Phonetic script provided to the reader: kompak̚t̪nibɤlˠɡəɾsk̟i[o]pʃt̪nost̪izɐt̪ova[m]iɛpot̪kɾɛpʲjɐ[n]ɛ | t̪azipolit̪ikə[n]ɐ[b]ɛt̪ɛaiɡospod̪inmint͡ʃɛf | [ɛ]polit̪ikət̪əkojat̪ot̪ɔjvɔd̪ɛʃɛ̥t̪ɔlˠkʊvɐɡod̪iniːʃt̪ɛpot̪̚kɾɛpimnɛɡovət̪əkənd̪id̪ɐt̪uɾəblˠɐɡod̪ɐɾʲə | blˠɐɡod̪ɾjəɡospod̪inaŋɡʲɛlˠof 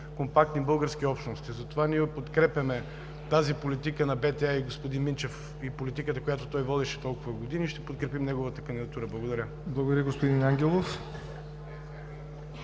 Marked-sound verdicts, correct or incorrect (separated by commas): incorrect, incorrect, incorrect, correct, correct, incorrect